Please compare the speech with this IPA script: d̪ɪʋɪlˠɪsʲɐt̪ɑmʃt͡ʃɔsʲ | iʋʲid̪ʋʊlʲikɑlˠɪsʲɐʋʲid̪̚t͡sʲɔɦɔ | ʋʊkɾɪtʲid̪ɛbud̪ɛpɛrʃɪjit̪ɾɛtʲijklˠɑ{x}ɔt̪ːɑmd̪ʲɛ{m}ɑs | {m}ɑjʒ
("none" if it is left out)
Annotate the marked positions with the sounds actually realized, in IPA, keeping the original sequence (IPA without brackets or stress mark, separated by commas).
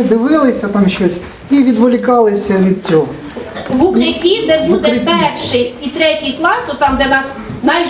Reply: s, n, n